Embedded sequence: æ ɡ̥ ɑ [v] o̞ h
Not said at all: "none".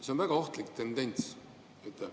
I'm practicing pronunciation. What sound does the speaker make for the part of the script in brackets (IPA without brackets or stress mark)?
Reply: none